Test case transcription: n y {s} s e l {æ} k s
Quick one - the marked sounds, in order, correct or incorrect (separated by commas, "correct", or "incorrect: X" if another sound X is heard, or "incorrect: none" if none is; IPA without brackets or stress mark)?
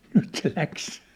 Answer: incorrect: t, correct